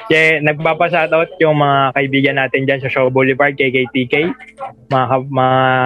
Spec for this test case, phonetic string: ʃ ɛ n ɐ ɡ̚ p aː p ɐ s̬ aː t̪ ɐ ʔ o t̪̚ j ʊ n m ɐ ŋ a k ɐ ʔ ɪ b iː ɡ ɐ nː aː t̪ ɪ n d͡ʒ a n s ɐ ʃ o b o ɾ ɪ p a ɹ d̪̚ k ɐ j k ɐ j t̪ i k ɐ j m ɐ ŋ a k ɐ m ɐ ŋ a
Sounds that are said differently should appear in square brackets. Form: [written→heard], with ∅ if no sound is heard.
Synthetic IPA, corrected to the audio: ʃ ɛ n ɐ ɡ̚ p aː p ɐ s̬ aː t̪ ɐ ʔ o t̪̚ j ʊ [n→ŋ] m ɐ ŋ a k ɐ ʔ ɪ b iː ɡ ɐ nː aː t̪ ɪ n d͡ʒ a n s ɐ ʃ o b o [ɾ→l] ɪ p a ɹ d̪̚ k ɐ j k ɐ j t̪ i k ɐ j m ɐ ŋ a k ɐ m ɐ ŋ a